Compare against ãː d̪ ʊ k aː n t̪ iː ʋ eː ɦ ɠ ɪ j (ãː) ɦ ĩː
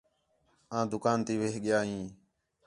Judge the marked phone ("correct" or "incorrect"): incorrect